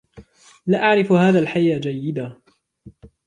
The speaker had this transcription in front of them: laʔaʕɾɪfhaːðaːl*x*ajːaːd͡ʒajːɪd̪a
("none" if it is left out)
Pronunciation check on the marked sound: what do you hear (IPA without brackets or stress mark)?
ħ